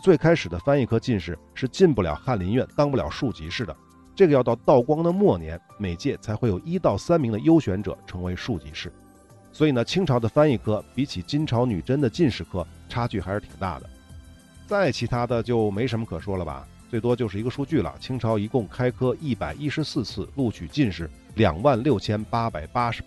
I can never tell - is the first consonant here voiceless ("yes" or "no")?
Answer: yes